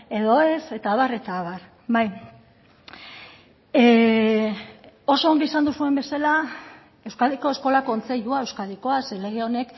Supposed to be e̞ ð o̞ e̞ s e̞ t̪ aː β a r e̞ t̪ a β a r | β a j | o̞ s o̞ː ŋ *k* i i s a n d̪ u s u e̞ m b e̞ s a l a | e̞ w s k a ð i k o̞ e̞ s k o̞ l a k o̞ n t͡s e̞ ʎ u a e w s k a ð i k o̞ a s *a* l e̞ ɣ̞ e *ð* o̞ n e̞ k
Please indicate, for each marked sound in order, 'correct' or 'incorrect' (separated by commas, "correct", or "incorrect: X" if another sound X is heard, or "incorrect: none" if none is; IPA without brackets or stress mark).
incorrect: ɡ, incorrect: e, incorrect: none